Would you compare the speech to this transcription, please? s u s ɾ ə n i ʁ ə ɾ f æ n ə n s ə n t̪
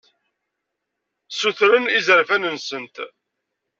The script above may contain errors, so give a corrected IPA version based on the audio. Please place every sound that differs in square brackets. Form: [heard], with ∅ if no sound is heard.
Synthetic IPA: s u [θ] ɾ ə n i [z] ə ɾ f æ n ə n s ə n t̪